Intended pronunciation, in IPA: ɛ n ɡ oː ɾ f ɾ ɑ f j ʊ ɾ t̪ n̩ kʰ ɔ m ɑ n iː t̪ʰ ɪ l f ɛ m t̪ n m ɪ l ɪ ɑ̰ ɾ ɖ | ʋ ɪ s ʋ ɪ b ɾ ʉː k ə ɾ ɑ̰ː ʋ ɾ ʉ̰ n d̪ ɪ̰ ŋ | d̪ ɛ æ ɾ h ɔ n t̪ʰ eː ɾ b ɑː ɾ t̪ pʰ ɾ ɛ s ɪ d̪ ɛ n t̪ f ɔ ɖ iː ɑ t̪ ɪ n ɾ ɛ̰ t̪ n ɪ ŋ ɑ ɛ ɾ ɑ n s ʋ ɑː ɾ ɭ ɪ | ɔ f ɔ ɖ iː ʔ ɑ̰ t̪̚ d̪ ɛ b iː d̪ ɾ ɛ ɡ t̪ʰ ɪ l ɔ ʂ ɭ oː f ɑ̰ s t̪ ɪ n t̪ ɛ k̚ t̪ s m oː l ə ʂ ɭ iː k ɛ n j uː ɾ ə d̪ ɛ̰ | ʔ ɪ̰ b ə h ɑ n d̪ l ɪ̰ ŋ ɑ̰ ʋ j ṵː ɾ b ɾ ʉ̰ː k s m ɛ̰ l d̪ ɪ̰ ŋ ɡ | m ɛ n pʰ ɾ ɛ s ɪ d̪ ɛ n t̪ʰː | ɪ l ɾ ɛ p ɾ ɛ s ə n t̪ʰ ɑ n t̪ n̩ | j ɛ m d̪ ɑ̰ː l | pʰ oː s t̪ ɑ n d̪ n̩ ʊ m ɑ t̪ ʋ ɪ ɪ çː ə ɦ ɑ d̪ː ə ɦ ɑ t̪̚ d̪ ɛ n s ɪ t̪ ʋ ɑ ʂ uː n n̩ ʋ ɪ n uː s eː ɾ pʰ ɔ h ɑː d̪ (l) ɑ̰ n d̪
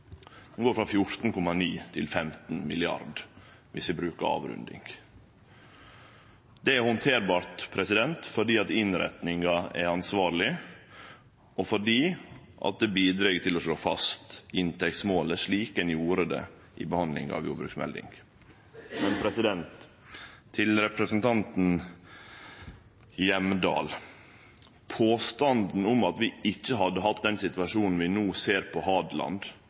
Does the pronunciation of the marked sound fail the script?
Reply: no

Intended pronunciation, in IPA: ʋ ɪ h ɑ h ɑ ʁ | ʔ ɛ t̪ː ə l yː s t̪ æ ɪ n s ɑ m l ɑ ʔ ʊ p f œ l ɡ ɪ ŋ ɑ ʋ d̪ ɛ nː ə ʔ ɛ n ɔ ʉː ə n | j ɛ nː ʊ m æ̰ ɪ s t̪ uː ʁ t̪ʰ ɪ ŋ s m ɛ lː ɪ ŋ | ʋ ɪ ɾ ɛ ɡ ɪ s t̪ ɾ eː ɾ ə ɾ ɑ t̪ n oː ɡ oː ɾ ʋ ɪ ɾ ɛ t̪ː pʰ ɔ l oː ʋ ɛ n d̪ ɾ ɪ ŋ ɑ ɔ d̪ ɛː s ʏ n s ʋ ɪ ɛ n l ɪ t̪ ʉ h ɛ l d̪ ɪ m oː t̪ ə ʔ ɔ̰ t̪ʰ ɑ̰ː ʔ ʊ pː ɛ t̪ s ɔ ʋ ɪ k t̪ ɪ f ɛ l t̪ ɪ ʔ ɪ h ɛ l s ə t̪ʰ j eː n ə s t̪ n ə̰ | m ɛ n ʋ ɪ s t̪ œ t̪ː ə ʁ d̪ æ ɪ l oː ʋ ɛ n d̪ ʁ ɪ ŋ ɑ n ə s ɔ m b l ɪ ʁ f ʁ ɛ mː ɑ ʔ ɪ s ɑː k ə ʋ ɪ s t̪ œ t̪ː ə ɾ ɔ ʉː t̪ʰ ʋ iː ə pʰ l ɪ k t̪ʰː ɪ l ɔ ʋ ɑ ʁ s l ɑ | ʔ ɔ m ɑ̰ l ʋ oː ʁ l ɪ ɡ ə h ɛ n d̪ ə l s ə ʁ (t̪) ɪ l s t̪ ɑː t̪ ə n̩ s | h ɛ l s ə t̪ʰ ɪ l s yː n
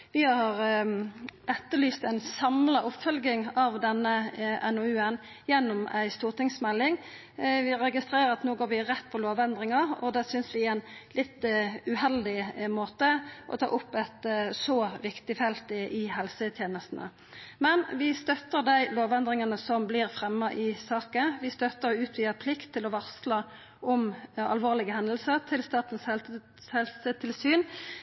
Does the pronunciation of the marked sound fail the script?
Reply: yes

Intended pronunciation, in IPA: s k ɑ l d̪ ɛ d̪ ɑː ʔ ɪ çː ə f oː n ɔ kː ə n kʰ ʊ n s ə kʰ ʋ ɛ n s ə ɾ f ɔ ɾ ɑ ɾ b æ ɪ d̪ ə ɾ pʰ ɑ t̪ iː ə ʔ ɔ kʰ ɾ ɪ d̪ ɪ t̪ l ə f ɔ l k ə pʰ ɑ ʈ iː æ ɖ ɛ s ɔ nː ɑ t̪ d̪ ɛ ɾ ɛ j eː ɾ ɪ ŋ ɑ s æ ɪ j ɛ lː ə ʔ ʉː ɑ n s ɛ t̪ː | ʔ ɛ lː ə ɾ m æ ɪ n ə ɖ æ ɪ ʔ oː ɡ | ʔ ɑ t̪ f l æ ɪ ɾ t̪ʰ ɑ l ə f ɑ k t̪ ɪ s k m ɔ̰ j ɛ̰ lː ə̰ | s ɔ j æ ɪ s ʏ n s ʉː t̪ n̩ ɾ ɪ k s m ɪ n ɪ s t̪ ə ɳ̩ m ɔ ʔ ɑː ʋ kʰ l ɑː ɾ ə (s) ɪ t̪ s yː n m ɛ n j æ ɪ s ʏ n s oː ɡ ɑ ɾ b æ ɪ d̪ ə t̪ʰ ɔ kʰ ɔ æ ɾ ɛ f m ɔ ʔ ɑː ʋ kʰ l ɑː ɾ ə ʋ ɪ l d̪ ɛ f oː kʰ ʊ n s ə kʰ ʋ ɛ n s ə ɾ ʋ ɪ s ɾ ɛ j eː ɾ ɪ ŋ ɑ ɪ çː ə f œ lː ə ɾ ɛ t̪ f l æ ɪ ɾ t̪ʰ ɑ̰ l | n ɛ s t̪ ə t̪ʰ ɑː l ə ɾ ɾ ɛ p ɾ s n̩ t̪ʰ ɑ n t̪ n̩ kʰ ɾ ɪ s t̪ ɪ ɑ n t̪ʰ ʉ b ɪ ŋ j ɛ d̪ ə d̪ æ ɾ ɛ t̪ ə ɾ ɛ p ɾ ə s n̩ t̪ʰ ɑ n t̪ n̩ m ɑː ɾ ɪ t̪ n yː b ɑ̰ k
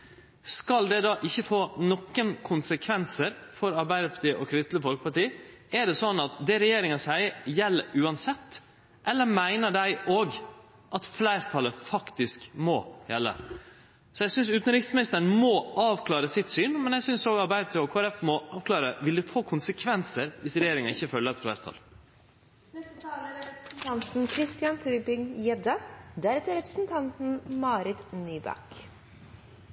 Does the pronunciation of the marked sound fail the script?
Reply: no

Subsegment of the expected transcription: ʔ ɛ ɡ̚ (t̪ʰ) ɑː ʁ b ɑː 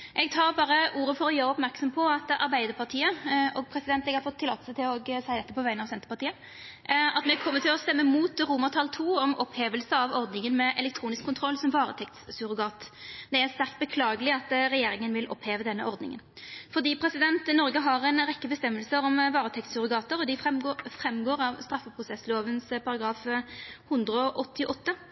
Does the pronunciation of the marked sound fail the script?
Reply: no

